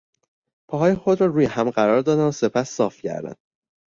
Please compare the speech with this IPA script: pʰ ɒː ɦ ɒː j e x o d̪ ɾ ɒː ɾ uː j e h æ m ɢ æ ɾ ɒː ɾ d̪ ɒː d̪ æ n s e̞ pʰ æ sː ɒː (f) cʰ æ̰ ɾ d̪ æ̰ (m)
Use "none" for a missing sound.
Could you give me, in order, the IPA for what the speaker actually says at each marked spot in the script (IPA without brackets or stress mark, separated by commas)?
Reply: f, n